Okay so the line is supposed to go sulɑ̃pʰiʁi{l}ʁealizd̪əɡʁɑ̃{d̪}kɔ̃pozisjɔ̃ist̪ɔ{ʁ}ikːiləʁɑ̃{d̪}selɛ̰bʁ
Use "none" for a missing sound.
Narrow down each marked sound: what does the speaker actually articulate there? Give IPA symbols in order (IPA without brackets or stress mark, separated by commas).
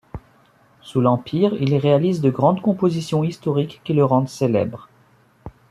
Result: l, d̪, ʁ, d̪